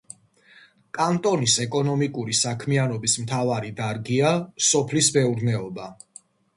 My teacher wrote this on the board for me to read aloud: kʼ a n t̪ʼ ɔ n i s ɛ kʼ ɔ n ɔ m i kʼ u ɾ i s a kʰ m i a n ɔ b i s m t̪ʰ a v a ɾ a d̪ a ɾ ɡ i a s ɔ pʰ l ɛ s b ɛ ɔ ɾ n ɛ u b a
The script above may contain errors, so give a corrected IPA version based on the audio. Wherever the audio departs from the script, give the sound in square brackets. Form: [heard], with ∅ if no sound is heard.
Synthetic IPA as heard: kʼ a n t̪ʼ ɔ n i s ɛ kʼ ɔ n ɔ m i kʼ u ɾ i s a kʰ m i a n ɔ b i s m t̪ʰ a v a ɾ [i] d̪ a ɾ ɡ i a s ɔ pʰ l [i] s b ɛ [u] ɾ n ɛ [ɔ] b a